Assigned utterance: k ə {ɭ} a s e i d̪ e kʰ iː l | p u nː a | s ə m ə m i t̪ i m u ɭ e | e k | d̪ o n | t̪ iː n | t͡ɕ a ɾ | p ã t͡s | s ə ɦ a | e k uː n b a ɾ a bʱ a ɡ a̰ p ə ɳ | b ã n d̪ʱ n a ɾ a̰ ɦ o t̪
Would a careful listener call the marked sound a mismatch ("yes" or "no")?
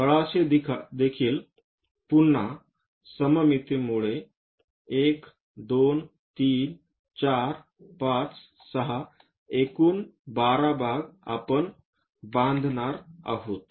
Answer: no